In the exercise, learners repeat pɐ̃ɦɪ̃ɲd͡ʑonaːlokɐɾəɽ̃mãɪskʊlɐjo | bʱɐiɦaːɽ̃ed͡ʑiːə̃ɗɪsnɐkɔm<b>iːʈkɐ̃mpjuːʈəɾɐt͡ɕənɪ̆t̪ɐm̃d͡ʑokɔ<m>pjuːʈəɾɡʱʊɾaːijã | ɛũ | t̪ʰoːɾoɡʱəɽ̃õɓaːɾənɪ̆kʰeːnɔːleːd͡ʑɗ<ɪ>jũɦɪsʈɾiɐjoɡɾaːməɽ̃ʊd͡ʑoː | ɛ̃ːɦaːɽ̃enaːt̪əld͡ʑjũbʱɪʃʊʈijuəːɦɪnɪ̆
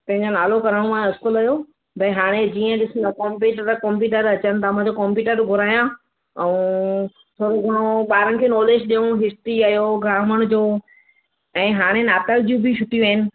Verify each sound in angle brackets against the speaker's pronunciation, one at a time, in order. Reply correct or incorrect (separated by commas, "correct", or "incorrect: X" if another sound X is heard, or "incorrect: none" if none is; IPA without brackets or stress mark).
incorrect: p, correct, incorrect: i